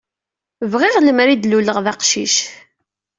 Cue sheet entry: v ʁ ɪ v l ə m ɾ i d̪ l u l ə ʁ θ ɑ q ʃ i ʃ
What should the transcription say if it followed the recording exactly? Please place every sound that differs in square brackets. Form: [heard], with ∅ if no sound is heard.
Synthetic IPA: v ʁ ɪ [ʁ] l ə m ɾ i d̪ l u l ə ʁ [ð] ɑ q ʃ i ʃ